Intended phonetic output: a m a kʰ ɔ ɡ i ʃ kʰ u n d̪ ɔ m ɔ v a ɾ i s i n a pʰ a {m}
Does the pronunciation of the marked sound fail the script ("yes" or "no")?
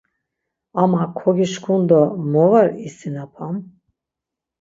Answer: no